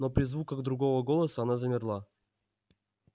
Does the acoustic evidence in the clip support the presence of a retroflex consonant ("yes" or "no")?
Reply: no